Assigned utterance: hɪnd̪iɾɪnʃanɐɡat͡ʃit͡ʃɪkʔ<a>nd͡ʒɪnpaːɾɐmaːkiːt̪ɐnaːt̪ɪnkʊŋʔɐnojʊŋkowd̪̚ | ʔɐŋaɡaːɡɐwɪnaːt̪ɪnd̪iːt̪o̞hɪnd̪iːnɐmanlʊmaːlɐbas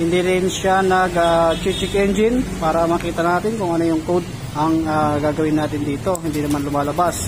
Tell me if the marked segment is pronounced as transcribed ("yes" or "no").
no